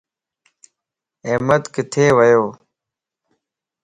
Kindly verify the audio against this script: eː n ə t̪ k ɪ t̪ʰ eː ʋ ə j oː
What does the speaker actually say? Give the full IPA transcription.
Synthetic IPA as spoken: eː m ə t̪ k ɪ t̪ʰ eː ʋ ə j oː